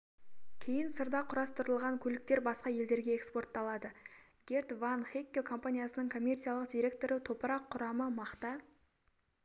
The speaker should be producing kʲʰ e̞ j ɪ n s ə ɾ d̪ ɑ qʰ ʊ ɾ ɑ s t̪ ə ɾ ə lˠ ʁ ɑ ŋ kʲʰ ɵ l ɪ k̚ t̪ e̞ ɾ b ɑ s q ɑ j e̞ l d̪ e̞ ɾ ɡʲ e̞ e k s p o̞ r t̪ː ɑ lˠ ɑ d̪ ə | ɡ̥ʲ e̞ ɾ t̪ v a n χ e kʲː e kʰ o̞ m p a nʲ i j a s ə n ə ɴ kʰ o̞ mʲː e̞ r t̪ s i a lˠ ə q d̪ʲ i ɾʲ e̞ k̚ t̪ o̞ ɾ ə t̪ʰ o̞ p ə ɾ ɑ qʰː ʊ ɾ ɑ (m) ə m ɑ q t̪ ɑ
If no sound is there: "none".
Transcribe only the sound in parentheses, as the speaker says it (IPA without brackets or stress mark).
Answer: m